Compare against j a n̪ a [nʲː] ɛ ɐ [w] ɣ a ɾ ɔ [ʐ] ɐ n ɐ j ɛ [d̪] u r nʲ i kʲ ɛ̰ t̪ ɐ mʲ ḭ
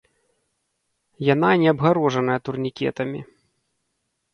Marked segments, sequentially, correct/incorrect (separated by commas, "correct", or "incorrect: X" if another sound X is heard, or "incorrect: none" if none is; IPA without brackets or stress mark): incorrect: nʲ, incorrect: b, correct, incorrect: t̪